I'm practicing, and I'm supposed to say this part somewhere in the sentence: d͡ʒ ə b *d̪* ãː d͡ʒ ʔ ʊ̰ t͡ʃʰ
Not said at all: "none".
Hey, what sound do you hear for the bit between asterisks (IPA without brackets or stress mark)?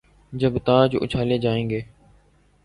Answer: t̪